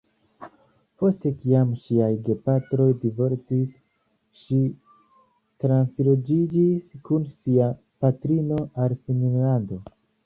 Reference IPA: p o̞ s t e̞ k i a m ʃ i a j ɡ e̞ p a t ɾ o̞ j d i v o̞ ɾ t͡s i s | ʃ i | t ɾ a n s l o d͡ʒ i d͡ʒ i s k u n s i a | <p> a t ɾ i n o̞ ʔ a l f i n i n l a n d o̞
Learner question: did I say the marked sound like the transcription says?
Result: yes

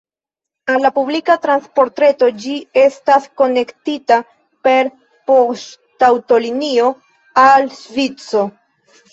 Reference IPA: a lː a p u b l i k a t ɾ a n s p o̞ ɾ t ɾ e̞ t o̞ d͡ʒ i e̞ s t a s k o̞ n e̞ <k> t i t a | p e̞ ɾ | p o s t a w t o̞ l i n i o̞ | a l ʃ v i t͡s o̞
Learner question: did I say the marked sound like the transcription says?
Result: yes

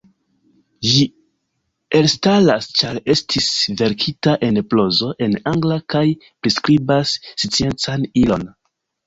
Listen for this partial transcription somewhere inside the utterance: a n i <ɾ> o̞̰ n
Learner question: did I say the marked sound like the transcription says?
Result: no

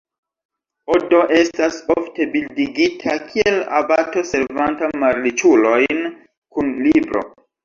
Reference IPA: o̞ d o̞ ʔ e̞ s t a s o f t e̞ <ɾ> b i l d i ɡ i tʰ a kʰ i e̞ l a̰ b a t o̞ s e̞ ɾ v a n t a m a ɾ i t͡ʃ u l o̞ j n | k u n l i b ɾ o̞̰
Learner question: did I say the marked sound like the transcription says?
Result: no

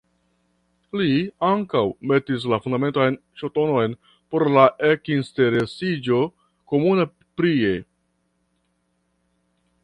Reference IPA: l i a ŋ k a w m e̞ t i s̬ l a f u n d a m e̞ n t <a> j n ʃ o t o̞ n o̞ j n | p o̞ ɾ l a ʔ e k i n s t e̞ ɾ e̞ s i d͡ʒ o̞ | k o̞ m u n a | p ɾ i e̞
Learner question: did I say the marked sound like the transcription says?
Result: yes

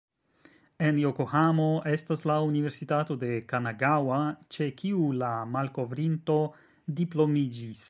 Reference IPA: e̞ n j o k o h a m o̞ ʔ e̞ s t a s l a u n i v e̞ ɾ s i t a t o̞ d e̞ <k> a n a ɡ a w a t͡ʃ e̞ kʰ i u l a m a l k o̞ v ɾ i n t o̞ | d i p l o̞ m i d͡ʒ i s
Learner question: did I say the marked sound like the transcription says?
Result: yes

